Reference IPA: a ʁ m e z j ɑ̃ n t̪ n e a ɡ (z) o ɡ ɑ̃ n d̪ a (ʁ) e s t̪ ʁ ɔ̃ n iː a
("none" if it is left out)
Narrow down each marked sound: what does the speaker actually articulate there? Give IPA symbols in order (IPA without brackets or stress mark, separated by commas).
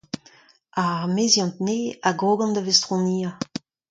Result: ʁ, v